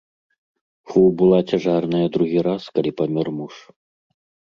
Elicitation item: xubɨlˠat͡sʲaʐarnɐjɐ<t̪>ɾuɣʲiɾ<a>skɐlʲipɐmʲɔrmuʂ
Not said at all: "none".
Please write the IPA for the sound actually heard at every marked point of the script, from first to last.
d̪, a

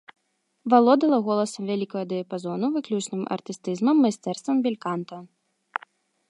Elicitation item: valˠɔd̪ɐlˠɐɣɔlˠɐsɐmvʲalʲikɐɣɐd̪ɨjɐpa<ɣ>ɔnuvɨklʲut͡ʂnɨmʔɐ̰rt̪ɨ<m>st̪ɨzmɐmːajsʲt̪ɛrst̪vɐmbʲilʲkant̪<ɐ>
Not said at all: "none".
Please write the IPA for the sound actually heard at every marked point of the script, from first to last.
z, none, ɐ

